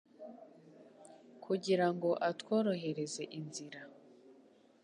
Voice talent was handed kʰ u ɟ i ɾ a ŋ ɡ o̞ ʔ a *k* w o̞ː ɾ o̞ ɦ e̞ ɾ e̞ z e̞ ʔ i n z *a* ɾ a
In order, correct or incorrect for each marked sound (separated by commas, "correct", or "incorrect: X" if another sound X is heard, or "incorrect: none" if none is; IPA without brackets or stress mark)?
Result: incorrect: t, incorrect: i